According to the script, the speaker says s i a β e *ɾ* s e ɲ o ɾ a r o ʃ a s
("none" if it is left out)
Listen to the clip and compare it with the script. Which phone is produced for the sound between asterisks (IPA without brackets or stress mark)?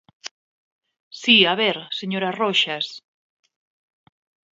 ɾ